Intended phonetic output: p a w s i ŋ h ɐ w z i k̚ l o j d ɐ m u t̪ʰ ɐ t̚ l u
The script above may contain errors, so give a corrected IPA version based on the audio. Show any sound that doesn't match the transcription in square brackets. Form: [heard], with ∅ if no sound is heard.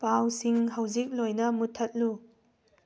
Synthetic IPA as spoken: p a w s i ŋ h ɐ w z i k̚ l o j [n] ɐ m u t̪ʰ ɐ t̚ l u